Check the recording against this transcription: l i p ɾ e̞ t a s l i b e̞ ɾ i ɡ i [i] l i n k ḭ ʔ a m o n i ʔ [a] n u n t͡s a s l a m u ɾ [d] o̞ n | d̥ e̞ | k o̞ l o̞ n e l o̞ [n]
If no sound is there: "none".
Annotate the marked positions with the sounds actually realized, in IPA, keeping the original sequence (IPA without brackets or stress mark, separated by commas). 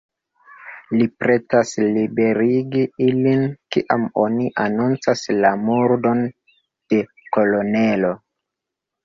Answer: i, a, d, none